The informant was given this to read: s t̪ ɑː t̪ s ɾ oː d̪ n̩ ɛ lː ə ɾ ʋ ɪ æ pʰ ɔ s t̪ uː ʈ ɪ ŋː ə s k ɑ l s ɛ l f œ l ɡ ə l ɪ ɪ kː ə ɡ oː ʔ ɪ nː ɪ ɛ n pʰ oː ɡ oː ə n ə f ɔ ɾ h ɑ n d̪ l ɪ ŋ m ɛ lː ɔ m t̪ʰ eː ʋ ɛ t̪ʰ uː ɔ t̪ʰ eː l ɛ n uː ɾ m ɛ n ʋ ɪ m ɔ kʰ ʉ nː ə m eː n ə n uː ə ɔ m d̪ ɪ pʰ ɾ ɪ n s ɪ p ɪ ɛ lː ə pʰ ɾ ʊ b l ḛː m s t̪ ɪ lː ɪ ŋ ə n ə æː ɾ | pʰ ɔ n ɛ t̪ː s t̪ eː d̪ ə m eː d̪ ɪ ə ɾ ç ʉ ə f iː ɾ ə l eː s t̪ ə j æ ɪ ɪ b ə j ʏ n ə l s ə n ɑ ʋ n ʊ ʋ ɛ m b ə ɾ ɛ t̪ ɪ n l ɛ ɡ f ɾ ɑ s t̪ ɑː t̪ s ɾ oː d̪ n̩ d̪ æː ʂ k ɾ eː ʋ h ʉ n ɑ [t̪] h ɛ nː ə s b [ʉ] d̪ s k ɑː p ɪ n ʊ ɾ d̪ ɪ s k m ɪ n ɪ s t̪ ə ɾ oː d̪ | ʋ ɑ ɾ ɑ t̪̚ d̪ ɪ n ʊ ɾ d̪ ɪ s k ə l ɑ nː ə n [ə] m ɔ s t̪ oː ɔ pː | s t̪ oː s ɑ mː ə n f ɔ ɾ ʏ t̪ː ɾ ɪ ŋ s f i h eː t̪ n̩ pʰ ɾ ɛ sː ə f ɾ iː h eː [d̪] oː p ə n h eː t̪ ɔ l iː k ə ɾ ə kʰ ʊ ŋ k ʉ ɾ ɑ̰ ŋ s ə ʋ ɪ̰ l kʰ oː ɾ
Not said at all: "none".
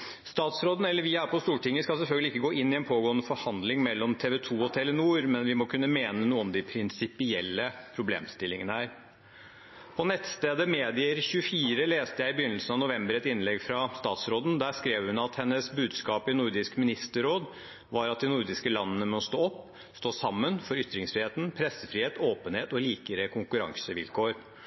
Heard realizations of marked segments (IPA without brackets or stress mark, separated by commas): t̪, ʉː, ə, t̪